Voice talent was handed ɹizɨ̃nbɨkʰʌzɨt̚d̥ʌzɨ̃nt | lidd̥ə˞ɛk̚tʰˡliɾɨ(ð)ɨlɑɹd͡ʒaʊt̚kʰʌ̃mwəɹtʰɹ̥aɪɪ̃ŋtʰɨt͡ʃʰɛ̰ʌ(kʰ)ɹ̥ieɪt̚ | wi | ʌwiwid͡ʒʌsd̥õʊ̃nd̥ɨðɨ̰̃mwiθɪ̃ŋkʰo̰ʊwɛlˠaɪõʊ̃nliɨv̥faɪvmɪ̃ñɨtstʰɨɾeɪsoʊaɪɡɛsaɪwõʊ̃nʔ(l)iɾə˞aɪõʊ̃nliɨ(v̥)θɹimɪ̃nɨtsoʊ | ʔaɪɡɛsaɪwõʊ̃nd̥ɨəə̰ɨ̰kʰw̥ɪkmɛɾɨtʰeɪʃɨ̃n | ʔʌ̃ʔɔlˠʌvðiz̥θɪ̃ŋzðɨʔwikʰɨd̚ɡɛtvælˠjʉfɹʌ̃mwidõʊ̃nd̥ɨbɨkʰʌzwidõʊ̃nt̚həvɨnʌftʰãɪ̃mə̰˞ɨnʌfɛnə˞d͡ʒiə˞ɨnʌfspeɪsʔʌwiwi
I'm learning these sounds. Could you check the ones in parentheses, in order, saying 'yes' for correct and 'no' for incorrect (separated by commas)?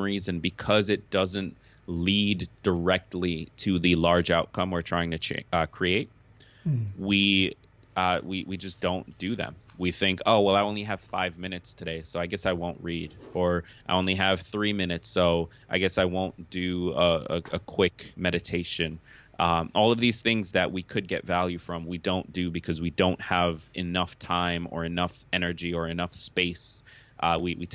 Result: yes, yes, no, yes